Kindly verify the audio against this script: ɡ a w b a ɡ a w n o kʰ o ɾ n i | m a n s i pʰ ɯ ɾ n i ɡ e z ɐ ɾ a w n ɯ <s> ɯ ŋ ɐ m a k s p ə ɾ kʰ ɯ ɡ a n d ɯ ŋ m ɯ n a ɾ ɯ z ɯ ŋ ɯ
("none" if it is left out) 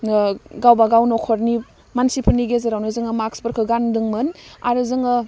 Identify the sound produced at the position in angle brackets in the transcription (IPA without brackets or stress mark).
z